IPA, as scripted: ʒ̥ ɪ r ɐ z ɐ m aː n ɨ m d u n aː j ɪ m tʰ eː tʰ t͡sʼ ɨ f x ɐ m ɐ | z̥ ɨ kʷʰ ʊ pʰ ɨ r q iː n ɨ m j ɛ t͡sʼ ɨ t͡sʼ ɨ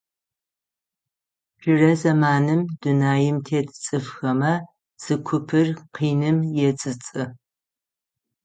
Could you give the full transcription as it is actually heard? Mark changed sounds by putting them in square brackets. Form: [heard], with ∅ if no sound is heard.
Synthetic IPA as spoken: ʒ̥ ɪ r ɐ z ɐ m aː n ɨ m d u n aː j ɪ m tʰ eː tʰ t͡sʼ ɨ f x ɐ m ɐ | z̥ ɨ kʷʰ ʊ pʰ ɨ r q iː n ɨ m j ɛ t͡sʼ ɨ t͡sʼ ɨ